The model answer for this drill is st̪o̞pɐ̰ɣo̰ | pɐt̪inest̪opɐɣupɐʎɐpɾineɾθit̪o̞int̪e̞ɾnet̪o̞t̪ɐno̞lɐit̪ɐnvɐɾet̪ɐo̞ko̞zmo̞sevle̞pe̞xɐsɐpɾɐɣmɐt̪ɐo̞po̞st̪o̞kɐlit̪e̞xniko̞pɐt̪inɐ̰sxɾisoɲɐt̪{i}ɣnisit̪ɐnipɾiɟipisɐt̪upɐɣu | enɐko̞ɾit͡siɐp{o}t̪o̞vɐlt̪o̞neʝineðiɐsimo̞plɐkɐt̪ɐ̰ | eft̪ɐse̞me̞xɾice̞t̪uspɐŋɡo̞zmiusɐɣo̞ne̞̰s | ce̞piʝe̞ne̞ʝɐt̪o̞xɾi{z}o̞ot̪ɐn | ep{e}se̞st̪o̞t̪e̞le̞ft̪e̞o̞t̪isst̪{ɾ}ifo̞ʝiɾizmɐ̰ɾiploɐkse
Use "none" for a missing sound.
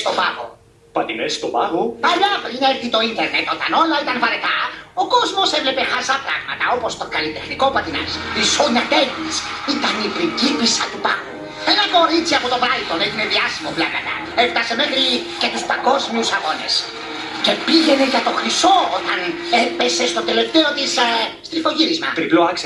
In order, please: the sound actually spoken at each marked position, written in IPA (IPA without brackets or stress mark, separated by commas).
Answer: e, o, s, e, ɾ